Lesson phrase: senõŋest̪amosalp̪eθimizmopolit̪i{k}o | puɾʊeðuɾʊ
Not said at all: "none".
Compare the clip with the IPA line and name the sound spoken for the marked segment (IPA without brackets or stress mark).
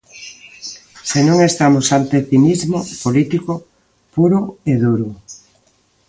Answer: k